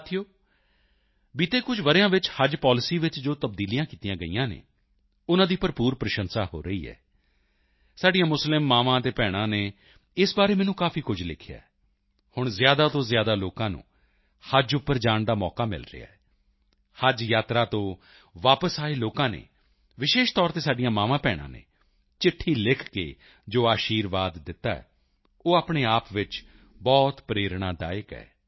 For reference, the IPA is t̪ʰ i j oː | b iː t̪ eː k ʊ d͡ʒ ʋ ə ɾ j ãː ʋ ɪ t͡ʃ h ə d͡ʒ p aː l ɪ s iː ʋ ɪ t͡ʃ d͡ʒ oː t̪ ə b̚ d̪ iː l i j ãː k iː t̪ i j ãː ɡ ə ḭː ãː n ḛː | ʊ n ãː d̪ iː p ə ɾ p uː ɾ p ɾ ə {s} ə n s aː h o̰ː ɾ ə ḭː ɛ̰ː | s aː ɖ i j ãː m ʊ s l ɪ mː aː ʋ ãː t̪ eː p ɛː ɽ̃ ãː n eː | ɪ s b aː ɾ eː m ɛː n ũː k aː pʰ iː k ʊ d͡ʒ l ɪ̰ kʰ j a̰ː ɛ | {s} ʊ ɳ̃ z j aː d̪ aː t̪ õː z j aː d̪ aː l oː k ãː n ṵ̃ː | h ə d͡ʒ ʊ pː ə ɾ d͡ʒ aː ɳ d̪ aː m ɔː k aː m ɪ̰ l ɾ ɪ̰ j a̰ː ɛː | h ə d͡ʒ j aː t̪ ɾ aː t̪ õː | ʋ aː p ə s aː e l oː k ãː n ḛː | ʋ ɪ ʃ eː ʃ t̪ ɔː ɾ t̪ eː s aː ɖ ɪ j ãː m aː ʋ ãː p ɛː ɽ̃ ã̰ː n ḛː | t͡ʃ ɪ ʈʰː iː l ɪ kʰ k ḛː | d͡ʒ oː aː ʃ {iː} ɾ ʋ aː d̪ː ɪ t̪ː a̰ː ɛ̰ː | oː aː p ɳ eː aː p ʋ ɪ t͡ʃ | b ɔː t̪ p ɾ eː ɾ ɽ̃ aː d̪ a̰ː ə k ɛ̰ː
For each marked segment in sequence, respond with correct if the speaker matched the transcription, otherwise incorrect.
incorrect: ʃ, incorrect: h, correct

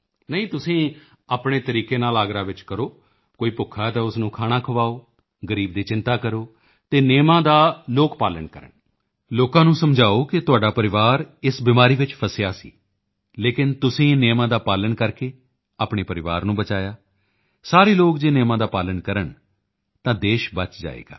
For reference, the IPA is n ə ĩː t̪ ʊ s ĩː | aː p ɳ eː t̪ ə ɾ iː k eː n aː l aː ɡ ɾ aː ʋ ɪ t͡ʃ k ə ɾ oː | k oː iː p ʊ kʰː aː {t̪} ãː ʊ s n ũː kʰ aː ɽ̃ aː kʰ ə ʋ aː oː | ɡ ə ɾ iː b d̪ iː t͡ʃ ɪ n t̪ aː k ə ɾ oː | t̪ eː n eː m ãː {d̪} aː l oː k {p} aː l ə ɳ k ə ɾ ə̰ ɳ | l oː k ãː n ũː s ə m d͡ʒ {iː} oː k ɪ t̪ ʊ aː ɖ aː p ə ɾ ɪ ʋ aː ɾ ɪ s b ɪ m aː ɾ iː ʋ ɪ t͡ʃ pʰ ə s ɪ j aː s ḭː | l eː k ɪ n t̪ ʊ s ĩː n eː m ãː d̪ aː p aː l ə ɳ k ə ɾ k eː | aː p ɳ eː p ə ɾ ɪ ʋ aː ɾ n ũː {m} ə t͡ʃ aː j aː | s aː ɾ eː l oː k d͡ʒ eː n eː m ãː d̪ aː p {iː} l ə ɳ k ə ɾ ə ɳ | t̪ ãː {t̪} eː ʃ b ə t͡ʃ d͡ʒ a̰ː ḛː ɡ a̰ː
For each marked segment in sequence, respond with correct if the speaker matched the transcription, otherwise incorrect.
correct, correct, correct, incorrect: aː, incorrect: b, incorrect: aː, incorrect: d̪

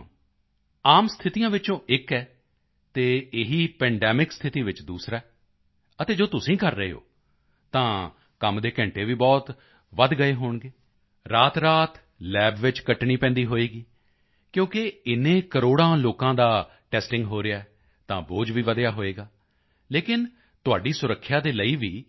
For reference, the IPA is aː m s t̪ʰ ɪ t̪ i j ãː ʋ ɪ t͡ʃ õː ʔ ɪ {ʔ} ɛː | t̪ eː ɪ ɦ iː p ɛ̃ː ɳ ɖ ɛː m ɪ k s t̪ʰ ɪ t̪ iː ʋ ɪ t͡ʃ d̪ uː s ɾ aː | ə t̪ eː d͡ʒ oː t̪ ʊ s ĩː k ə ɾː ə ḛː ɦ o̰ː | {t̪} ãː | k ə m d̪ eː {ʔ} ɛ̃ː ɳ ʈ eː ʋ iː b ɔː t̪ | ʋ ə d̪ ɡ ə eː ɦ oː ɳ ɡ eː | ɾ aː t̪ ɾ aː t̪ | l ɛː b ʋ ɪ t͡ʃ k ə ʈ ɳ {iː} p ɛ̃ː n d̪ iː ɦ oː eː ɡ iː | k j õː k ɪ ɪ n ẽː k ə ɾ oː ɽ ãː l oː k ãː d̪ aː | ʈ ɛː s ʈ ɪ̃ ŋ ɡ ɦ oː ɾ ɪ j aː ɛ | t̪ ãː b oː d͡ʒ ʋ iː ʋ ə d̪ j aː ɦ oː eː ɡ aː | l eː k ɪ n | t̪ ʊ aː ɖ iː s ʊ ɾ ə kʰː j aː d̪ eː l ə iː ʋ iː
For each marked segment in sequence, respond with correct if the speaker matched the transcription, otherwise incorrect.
incorrect: k, correct, incorrect: k, correct

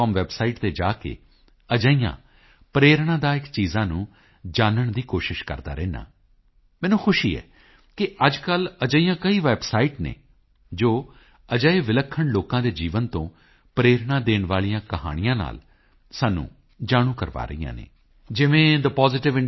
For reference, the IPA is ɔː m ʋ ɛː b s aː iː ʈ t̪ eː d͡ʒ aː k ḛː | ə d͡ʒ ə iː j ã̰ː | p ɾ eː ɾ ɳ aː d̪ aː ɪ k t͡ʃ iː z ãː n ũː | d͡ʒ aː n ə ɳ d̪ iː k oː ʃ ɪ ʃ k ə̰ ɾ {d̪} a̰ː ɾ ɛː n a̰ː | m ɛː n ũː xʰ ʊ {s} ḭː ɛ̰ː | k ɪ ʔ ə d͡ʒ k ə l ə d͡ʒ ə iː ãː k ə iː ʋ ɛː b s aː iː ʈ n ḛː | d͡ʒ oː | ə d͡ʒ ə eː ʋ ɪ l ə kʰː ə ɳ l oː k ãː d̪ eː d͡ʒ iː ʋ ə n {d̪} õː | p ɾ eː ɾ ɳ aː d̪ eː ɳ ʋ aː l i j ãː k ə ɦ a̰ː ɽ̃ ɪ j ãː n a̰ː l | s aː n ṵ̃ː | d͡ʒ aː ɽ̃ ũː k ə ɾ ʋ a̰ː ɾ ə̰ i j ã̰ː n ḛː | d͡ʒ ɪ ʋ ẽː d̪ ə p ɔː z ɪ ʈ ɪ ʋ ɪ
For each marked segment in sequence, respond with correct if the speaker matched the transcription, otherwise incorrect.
correct, incorrect: ʃ, incorrect: t̪

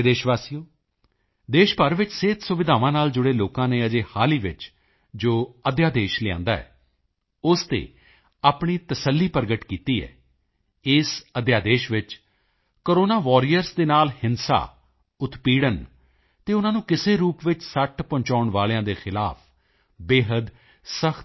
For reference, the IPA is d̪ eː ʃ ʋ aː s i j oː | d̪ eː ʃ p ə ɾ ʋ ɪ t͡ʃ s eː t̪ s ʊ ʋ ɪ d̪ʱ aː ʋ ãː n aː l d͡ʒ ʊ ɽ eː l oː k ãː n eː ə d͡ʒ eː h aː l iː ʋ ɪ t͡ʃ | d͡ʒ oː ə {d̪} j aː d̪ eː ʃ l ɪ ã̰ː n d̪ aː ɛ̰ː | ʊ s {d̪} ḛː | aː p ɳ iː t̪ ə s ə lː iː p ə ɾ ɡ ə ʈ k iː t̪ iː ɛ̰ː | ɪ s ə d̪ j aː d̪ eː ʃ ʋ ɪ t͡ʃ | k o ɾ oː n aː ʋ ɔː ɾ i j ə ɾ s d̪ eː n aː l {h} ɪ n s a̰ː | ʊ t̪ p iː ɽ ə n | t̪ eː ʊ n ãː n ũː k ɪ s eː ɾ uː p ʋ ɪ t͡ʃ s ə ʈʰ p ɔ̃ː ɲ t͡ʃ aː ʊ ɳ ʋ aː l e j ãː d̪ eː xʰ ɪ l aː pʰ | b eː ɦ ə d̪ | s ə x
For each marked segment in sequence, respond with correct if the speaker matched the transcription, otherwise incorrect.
correct, incorrect: t̪, correct

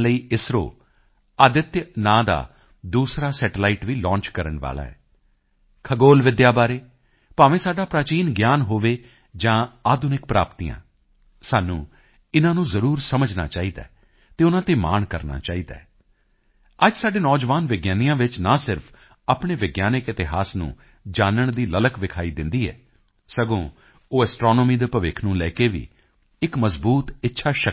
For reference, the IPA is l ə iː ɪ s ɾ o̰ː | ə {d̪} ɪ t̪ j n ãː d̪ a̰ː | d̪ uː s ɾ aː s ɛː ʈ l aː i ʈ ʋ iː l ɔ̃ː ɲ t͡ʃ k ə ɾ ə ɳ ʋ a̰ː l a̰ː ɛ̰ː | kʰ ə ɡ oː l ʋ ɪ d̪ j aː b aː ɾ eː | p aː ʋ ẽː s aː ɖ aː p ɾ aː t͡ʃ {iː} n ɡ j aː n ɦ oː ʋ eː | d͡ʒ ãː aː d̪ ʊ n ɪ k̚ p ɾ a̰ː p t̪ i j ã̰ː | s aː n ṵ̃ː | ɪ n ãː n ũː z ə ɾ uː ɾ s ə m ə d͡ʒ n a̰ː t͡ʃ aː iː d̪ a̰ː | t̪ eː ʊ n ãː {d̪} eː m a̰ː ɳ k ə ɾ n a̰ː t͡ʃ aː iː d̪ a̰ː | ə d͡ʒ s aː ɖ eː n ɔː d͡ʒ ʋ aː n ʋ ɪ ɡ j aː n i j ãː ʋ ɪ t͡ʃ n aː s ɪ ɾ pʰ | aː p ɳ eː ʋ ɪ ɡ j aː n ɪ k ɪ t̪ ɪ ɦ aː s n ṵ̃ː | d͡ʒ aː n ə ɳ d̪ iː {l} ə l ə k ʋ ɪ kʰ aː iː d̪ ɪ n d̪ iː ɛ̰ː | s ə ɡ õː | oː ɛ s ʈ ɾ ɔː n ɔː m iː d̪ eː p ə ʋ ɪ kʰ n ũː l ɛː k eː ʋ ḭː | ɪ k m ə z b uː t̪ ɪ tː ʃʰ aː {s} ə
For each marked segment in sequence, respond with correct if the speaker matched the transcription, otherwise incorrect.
correct, correct, incorrect: t̪, correct, incorrect: ʃ

